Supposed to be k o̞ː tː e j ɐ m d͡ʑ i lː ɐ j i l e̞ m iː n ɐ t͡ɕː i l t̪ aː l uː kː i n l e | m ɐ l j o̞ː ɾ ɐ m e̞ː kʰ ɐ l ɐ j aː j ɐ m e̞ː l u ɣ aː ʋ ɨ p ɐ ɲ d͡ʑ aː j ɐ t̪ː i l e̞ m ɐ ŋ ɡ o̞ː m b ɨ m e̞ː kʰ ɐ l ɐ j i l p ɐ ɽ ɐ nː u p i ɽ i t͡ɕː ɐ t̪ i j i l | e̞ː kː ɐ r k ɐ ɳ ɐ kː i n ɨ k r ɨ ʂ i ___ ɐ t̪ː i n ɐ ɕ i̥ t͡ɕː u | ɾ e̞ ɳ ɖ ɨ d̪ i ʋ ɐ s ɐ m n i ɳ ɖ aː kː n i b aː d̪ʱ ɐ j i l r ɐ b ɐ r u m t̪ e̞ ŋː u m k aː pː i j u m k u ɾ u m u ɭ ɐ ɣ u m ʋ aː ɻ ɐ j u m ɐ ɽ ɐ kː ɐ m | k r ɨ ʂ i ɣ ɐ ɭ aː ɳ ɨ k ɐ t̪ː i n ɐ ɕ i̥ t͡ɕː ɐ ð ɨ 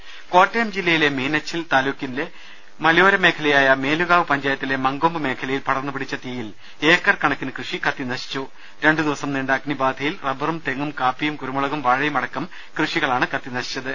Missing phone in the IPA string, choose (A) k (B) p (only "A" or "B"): A